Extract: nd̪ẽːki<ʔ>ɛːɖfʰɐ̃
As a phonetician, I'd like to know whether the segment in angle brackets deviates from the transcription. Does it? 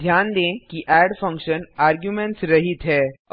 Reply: no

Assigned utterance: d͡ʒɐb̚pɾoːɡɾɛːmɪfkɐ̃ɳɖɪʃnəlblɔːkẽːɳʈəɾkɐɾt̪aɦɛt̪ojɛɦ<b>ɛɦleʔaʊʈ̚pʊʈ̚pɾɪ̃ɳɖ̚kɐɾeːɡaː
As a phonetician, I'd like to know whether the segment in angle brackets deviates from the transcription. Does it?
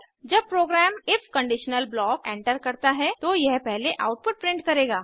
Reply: yes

